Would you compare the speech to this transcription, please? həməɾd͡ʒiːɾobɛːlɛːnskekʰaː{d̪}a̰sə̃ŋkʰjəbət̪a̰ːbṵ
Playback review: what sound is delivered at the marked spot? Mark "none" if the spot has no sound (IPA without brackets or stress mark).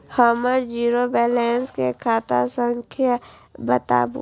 t̪